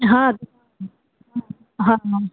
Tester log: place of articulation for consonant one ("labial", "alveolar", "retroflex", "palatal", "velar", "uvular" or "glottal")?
glottal